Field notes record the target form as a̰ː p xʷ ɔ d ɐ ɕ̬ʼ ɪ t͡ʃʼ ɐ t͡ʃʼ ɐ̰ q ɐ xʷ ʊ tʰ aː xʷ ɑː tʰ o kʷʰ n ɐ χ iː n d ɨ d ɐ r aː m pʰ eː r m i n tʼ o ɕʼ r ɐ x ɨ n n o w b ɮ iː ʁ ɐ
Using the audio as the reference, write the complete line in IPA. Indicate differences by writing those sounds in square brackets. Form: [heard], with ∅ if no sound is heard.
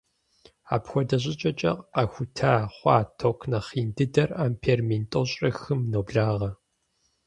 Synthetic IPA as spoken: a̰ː p xʷ ɔ d ɐ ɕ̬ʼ ɪ t͡ʃʼ ɐ t͡ʃʼ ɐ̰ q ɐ xʷ ʊ tʰ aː [χʷ] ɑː tʰ o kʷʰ n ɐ χ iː n d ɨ d ɐ r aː m pʰ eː r m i n tʼ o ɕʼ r ɐ x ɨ [m] n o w b ɮ [aː] ʁ ɐ